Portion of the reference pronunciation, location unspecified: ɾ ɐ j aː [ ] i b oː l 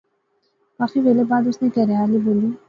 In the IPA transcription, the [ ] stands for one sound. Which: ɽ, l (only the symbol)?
l